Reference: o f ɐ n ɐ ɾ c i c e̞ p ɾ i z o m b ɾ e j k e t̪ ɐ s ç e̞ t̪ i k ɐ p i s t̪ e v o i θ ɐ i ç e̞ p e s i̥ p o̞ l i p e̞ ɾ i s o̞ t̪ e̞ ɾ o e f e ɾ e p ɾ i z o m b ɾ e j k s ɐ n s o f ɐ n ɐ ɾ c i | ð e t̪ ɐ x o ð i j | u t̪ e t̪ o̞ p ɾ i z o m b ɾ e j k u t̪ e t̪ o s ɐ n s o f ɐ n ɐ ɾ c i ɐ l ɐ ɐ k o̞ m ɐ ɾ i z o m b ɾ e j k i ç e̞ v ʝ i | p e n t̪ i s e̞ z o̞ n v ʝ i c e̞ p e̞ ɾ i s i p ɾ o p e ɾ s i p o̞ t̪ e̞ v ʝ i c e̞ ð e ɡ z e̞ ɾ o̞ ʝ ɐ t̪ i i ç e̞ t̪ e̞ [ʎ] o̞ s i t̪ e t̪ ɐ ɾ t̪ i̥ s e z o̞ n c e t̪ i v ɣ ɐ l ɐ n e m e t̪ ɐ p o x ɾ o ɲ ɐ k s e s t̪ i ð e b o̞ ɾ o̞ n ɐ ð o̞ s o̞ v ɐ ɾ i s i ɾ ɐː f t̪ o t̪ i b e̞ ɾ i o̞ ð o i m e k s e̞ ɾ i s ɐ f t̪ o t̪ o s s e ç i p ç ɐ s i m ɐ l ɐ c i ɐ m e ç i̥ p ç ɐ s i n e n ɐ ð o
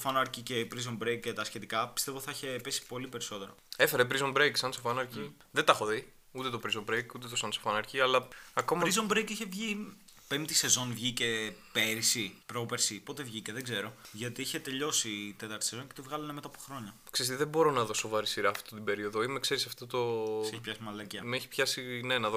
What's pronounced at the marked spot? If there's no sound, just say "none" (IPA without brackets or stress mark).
ʎ